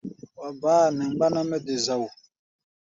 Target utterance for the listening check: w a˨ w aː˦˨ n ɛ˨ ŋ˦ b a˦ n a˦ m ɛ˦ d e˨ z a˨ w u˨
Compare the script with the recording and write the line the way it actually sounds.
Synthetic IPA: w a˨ b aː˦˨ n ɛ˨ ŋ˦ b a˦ n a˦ m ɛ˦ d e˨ z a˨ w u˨